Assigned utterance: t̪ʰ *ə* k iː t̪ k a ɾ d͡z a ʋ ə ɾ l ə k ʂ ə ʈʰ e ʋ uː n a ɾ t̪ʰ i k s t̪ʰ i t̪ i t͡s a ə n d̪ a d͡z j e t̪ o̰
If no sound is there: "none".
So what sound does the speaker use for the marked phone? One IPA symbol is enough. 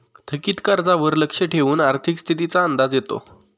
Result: ə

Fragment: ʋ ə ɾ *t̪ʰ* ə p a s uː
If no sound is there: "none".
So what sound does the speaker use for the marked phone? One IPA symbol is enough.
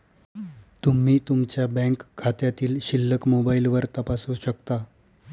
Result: t̪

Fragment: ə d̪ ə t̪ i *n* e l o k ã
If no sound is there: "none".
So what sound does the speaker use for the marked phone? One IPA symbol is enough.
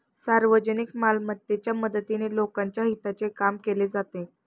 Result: n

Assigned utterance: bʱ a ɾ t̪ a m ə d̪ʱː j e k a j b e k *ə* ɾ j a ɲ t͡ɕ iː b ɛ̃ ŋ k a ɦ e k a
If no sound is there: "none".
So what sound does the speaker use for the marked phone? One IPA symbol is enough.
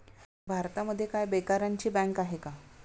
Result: a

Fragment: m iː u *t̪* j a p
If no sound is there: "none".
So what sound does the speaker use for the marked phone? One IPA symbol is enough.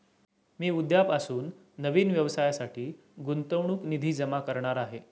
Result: d̪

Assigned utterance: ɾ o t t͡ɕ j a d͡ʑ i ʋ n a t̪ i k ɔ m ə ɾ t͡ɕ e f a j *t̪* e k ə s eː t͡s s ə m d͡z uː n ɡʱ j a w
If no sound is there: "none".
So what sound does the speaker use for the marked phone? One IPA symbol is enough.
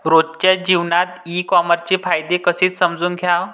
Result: d̪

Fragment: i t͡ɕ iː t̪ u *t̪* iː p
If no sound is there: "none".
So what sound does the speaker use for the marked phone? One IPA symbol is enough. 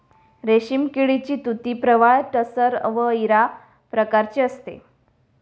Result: t̪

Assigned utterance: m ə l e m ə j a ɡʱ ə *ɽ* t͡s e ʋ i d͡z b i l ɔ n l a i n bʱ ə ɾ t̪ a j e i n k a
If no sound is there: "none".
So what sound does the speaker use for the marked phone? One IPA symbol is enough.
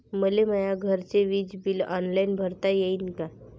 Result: ɾ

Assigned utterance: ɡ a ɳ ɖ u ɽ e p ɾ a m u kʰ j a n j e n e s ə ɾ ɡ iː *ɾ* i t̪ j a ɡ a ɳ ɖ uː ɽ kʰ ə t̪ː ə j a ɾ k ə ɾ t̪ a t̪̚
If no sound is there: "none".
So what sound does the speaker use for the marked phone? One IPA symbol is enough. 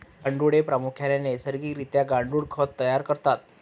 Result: ɾ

